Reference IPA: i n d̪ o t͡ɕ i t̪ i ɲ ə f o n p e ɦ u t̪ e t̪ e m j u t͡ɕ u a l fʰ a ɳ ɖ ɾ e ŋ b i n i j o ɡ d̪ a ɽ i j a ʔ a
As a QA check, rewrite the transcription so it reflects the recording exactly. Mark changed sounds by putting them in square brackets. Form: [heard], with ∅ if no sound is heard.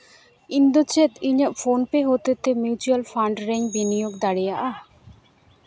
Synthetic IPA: i n d̪ o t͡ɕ [e] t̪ i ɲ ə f o n p e ɦ [o] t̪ e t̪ e m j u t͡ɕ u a l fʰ a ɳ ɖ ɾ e ŋ b i n i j o ɡ d̪ a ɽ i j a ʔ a